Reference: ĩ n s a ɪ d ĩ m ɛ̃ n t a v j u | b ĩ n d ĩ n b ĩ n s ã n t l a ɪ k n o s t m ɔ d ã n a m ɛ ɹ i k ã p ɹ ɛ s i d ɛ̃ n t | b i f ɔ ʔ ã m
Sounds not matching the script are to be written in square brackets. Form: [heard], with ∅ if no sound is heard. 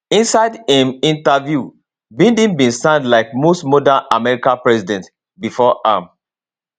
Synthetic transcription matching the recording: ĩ n s a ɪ d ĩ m [ĩ] n t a v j u | b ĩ n d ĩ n b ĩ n s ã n [d] l a ɪ k [m] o s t m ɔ d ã n a m ɛ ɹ i k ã p ɹ ɛ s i d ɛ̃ n t | b i f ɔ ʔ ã m